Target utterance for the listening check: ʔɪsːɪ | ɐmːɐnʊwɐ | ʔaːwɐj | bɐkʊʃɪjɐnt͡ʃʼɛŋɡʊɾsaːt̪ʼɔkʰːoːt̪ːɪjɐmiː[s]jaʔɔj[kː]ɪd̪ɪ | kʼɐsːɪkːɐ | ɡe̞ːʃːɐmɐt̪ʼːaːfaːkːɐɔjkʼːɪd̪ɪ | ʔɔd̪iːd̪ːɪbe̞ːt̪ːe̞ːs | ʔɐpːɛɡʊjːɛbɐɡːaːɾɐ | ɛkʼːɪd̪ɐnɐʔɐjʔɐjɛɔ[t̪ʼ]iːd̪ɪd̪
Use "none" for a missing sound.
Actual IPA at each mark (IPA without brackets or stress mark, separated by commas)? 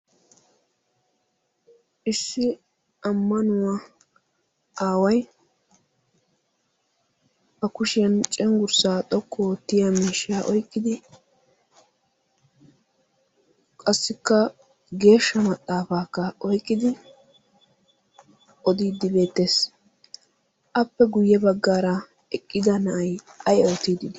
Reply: ʃ, kː, t̪